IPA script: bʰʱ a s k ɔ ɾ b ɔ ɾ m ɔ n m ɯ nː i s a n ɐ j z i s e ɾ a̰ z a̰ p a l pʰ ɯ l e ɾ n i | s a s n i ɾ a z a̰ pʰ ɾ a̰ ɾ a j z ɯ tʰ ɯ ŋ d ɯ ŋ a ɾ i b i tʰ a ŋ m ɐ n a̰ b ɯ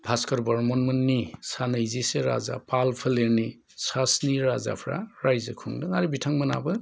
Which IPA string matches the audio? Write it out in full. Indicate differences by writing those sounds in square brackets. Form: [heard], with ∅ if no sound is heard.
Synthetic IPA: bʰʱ a s k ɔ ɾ b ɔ ɾ m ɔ n m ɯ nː i s a n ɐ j z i s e ɾ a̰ z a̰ p a l pʰ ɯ l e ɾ n i | s a s n i ɾ a z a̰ pʰ ɾ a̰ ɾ a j z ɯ [kʰ] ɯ ŋ d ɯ ŋ a ɾ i b i tʰ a ŋ m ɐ n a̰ b ɯ